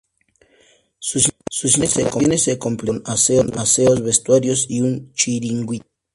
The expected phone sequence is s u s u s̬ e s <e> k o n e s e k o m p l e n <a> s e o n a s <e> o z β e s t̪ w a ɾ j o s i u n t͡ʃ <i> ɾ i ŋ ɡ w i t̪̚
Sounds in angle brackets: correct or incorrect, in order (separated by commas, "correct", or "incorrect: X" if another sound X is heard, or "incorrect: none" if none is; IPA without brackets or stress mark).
correct, correct, correct, correct